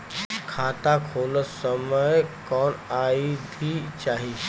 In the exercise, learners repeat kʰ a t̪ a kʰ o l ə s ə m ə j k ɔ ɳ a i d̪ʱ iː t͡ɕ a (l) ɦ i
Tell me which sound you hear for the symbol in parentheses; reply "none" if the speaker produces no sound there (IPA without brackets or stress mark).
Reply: none